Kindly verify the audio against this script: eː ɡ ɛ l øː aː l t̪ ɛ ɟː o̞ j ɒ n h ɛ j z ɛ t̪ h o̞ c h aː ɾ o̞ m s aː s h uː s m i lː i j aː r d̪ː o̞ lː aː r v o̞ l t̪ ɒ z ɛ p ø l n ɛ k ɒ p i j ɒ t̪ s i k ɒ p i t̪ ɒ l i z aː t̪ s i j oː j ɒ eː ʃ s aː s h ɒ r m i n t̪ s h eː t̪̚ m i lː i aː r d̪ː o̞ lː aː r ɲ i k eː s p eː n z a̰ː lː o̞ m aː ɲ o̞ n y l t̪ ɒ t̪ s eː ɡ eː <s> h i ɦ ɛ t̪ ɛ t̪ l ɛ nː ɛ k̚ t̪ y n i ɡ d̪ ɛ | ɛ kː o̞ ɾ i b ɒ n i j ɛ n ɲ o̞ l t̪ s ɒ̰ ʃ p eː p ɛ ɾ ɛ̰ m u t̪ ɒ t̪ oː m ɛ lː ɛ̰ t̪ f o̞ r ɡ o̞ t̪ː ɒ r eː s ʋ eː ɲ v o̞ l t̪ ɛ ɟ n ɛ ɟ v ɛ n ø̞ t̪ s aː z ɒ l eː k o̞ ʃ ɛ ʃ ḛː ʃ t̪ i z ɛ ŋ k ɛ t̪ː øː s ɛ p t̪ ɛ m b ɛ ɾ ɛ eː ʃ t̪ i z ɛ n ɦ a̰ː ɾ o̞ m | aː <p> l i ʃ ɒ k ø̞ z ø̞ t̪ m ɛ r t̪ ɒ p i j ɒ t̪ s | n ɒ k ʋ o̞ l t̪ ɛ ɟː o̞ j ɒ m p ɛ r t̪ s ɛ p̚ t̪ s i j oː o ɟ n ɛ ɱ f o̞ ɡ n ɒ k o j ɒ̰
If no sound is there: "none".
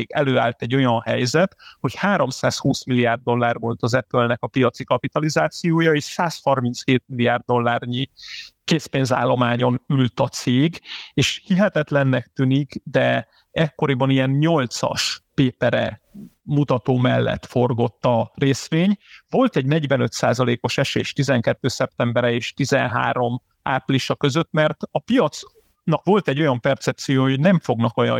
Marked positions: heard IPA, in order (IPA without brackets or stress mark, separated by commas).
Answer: ʃ, p